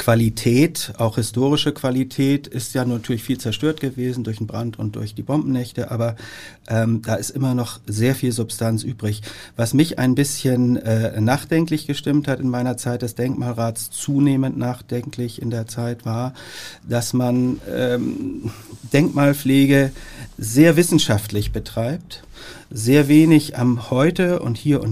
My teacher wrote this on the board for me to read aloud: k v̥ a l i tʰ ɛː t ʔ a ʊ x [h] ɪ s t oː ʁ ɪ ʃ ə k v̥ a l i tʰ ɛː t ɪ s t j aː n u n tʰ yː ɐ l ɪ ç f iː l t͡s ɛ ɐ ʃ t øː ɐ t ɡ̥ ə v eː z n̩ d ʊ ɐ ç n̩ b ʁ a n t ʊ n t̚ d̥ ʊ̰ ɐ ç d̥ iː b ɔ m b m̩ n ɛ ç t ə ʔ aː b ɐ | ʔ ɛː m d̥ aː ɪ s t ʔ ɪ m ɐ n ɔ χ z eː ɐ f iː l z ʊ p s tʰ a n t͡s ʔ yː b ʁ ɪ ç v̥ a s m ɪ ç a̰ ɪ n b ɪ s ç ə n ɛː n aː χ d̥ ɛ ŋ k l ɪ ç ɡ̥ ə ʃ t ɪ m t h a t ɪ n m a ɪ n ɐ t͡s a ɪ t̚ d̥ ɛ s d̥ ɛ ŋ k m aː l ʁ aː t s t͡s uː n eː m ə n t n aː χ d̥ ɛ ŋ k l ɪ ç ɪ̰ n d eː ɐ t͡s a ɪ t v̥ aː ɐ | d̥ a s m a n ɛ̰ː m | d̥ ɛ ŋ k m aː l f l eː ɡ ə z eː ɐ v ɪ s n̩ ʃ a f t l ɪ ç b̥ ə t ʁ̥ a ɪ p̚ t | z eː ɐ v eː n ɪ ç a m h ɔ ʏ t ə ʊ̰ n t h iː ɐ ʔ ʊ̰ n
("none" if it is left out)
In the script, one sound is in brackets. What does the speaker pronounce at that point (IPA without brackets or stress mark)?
h